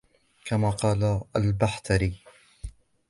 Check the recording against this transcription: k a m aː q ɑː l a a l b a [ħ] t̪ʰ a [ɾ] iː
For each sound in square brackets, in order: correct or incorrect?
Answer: correct, correct

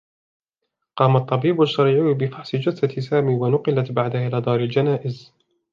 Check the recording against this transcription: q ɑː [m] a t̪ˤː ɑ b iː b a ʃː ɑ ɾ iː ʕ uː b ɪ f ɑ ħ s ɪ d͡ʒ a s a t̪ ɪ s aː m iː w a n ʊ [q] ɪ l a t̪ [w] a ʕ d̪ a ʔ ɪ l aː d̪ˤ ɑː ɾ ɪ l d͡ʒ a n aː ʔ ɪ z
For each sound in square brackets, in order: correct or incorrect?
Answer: correct, correct, incorrect: b

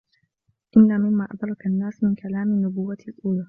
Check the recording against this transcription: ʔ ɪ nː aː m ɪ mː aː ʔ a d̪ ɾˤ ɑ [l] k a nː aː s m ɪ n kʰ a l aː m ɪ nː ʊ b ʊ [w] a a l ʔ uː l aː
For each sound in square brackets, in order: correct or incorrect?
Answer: incorrect: none, incorrect: wː

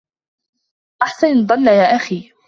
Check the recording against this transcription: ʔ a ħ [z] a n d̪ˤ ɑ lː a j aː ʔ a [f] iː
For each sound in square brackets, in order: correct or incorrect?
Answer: incorrect: s, incorrect: x

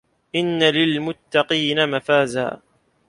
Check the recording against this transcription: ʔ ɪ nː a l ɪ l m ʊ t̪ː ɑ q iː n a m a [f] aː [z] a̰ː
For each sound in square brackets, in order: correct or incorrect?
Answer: correct, correct

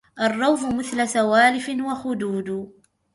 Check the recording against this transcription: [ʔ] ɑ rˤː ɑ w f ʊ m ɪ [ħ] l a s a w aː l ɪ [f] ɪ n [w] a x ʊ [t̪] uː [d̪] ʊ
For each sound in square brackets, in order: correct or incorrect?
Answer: correct, incorrect: θ, correct, correct, incorrect: d̪, correct

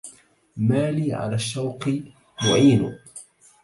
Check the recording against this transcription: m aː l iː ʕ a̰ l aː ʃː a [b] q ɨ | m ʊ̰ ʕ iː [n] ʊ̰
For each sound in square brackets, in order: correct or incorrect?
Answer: incorrect: w, correct

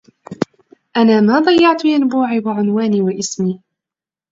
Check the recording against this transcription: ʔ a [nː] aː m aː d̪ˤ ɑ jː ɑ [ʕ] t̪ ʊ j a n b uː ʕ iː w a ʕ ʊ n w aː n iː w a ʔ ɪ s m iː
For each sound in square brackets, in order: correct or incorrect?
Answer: incorrect: n, correct

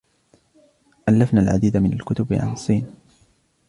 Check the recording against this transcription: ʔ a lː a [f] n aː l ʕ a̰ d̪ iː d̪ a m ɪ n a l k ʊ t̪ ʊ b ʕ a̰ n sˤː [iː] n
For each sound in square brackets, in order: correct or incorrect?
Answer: correct, correct

